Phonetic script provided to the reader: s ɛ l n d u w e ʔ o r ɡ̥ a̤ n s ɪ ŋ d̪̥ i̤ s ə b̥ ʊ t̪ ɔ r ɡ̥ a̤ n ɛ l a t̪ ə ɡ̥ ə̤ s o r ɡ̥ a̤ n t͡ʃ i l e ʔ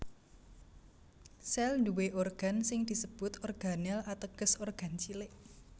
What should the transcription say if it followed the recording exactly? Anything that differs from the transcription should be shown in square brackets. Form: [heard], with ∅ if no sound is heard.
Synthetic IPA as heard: s ɛ l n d u w e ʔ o r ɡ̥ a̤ n s ɪ ŋ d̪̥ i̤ s ə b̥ ʊ t̪ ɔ r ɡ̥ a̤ n ɛ l a t̪ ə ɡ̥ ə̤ s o r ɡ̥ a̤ n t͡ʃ i l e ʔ